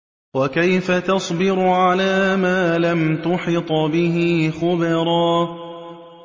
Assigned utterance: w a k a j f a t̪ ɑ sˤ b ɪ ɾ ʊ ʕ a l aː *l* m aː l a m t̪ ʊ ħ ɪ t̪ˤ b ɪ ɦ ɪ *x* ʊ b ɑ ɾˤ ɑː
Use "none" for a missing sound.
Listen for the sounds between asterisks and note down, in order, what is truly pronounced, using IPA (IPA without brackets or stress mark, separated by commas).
none, x